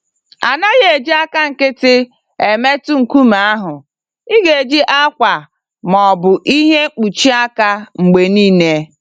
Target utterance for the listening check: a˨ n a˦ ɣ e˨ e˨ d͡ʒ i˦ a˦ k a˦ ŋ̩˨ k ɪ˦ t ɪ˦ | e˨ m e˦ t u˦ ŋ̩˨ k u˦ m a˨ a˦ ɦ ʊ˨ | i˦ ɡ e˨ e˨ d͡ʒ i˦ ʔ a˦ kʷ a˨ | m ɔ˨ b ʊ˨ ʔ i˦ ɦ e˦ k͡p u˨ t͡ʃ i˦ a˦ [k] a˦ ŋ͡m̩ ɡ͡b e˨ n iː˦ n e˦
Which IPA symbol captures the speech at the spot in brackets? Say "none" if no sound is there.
k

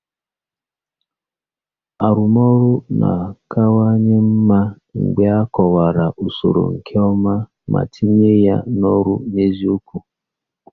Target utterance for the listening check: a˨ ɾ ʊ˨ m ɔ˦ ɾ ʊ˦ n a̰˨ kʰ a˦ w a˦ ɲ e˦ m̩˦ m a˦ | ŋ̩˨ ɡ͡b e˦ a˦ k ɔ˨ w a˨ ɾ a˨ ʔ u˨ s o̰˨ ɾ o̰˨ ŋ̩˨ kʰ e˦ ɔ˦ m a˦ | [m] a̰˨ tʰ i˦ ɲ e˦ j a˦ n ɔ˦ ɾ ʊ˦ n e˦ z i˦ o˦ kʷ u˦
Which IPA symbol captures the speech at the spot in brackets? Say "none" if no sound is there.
m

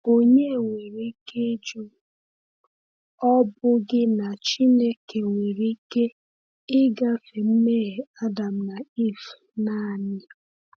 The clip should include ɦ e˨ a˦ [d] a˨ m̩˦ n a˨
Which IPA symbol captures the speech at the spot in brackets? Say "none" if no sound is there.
d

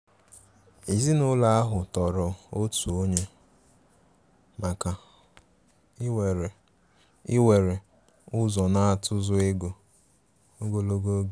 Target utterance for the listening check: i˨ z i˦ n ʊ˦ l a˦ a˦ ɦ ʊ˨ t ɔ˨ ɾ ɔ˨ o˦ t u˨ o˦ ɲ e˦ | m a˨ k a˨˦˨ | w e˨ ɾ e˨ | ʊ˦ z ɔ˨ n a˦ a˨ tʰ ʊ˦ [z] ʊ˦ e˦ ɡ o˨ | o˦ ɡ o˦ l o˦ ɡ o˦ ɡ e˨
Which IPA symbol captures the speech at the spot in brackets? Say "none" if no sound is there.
z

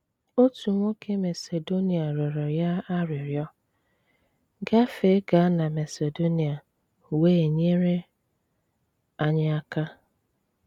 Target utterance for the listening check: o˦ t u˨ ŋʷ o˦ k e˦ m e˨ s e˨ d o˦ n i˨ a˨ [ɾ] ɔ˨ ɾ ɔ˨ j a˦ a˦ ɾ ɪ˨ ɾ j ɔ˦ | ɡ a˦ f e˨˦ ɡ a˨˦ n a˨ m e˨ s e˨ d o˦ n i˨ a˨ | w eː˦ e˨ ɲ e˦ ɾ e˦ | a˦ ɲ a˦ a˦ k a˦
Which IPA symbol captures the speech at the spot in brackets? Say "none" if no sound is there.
ɾ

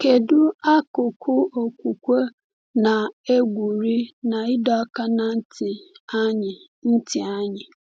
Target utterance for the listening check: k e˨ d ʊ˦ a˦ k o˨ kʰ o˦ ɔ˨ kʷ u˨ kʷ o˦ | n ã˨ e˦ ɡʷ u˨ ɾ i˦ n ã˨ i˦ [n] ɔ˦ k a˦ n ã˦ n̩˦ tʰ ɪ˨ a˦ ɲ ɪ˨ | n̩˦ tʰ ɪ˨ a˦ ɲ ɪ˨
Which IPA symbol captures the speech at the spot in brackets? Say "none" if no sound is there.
d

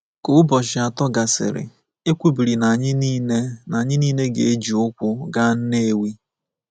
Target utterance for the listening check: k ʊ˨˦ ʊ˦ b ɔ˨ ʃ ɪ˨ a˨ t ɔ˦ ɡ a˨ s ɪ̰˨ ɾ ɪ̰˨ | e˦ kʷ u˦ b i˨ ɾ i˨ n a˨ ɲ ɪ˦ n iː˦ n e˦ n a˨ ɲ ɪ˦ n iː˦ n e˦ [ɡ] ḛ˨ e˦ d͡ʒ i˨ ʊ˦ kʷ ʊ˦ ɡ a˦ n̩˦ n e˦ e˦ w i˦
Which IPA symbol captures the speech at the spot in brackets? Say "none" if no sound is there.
ɡ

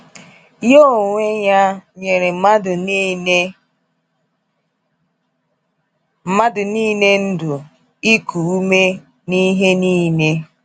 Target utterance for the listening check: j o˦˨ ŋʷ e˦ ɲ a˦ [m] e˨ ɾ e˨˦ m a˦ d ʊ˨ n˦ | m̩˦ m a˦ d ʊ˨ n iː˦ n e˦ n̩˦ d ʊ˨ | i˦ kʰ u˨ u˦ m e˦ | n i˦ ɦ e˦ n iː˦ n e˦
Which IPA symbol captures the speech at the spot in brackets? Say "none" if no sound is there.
ɲ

